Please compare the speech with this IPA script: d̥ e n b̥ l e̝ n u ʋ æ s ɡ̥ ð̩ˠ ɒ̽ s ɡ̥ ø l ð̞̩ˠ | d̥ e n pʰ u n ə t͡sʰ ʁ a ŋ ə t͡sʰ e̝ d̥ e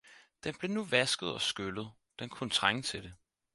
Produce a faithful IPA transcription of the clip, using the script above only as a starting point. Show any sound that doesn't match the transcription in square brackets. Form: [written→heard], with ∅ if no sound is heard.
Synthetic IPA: d̥ e n b̥ l e̝ n u ʋ æ s ɡ̥ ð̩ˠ ɒ̽ s ɡ̥ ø l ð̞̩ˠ | d̥ e n [pʰ→kʰ] u n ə t͡sʰ ʁ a ŋ ə t͡sʰ e̝ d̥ e